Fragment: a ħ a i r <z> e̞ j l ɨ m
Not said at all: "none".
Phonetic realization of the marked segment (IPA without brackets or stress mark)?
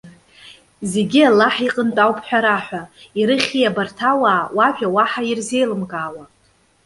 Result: z